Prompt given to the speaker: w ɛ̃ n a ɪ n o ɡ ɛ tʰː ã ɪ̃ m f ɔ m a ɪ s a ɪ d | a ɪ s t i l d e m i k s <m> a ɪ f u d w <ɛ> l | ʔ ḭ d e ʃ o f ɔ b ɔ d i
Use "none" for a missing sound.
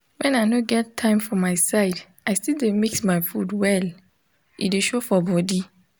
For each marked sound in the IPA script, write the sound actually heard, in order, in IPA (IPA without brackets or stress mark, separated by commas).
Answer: m, ɛ